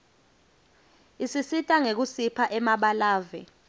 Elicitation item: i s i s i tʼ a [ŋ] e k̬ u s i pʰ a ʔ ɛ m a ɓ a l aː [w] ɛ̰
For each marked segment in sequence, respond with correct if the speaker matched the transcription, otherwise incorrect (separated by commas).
correct, incorrect